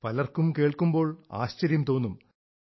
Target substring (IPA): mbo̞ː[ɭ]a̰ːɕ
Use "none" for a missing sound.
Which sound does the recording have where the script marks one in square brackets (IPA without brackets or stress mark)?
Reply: ɭ